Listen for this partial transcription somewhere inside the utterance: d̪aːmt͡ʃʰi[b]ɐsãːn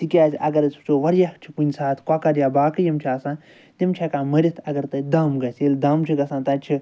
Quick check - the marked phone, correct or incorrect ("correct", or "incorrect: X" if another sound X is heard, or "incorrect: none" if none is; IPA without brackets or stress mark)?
incorrect: ɡ